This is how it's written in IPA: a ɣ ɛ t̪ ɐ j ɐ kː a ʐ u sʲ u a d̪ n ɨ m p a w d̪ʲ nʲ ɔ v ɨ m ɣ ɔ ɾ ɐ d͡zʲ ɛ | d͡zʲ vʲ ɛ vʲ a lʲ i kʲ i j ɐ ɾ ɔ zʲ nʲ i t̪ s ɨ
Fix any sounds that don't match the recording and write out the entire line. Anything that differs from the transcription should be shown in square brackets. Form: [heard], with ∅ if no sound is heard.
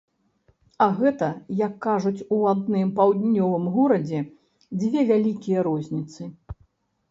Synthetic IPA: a ɣ ɛ t̪ ɐ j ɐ kː a ʐ u [t͡sʲ] u a d̪ n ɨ m p a w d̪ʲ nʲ ɔ v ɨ m ɣ ɔ ɾ ɐ d͡zʲ ɛ | d͡zʲ vʲ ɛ vʲ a lʲ i kʲ i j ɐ ɾ ɔ zʲ nʲ i t̪ s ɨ

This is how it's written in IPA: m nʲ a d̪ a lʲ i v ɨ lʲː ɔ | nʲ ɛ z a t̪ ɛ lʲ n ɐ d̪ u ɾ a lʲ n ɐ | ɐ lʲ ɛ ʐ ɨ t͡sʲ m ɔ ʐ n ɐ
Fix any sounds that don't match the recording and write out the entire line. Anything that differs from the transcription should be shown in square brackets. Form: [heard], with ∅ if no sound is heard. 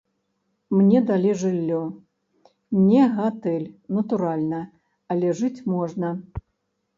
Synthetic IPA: m nʲ [ɛ] d̪ a lʲ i [ʐ] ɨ lʲː ɔ | nʲ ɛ [ɣ] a t̪ ɛ lʲ n ɐ [t̪] u ɾ a lʲ n ɐ | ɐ lʲ ɛ ʐ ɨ t͡sʲ m ɔ ʐ n ɐ

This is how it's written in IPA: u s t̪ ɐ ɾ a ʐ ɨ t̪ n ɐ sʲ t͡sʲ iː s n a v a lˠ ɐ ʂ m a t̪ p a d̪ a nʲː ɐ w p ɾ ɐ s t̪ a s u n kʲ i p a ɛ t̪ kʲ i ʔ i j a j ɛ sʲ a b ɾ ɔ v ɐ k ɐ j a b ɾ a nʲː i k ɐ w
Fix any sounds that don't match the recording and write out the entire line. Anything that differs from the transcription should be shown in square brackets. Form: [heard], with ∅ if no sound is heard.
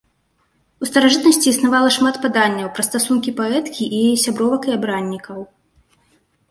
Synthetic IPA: u s t̪ ɐ ɾ a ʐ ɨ t̪ n ɐ sʲ t͡sʲ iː s n a v a lˠ ɐ ʂ m a t̪ p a d̪ a nʲː ɐ w p ɾ ɐ s t̪ a s u n kʲ i p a ɛ t̪ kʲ i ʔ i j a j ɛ sʲ a b ɾ ɔ v ɐ k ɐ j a b ɾ a nʲː i k ɐ w

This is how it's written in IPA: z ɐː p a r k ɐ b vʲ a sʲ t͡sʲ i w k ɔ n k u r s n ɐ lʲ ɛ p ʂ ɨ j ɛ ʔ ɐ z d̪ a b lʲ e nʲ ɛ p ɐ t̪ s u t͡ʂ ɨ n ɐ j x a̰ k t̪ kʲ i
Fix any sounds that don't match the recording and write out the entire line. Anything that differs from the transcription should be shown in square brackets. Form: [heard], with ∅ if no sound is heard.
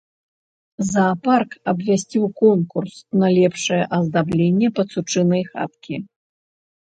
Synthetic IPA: z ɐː p a r k ɐ b vʲ a sʲ t͡sʲ i w k ɔ n k u r s n ɐ lʲ ɛ p ʂ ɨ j ɛ ʔ ɐ z d̪ a b lʲ e [nʲː] ɛ p ɐ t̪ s u t͡ʂ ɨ n ɐ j x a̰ [∅] t̪ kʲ i

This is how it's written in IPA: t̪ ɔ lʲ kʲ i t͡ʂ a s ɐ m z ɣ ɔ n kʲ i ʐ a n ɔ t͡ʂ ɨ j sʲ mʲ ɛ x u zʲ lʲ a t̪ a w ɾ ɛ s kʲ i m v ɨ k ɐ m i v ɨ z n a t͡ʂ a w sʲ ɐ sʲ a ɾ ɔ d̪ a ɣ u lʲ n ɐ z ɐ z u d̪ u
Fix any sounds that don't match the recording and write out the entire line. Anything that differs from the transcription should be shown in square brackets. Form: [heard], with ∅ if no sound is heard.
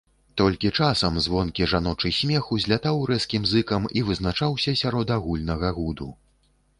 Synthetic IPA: t̪ ɔ lʲ kʲ i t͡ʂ a s ɐ m z [v] ɔ n kʲ i ʐ a n ɔ t͡ʂ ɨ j sʲ mʲ ɛ x u zʲ lʲ a t̪ a w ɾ ɛ s kʲ i m [z] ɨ k ɐ m i v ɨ z n a t͡ʂ a w sʲ ɐ sʲ a ɾ ɔ d̪ a ɣ u lʲ n ɐ [ɣ] ɐ [ɣ] u d̪ u

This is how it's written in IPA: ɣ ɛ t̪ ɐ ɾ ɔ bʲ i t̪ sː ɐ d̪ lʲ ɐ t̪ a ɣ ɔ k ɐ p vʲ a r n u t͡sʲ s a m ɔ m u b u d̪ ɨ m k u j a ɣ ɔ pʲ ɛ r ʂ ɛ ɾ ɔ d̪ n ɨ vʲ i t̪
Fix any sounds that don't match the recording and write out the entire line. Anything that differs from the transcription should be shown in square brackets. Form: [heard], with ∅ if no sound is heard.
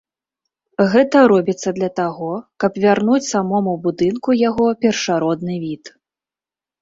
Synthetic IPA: ɣ ɛ t̪ ɐ ɾ ɔ bʲ i t̪ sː ɐ d̪ lʲ ɐ t̪ a ɣ ɔ k ɐ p vʲ a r n u t͡sʲ s a m ɔ m u b u d̪ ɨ [n] k u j a ɣ ɔ pʲ ɛ r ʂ [a] ɾ ɔ d̪ n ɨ vʲ i t̪

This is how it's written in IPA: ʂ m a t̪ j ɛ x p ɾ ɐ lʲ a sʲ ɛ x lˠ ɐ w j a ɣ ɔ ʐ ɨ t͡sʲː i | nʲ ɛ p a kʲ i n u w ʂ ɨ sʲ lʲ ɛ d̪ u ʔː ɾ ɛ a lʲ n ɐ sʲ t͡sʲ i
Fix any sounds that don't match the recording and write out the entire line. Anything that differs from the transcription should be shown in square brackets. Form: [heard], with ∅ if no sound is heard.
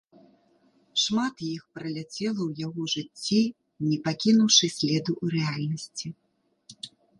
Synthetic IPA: ʂ m a t̪ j [i] x p ɾ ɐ lʲ a [t͡sʲ] ɛ [∅] lˠ ɐ w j a ɣ ɔ ʐ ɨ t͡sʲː i | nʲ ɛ p a kʲ i n u w ʂ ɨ sʲ lʲ ɛ d̪ u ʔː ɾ ɛ a lʲ n ɐ sʲ t͡sʲ i

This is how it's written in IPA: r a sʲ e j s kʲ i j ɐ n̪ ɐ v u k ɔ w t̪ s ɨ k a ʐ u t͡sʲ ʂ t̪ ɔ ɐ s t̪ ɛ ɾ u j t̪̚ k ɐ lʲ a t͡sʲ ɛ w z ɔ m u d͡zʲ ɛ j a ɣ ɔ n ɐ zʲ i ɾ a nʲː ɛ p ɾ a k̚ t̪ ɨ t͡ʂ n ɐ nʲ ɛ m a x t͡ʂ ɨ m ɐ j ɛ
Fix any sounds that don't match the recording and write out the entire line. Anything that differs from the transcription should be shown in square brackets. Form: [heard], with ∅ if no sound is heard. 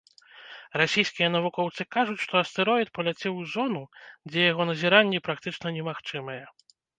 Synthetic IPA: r a sʲ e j s kʲ i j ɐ n̪ ɐ v u k ɔ w t̪ s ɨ k a ʐ u t͡sʲ ʂ t̪ ɔ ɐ s t̪ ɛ ɾ [ɔ] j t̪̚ [p] ɐ lʲ a t͡sʲ ɛ w z ɔ [n] u d͡zʲ ɛ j a ɣ ɔ n ɐ zʲ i ɾ a nʲː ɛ p ɾ a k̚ t̪ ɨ t͡ʂ n ɐ nʲ ɛ m a x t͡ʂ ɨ m ɐ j ɛ

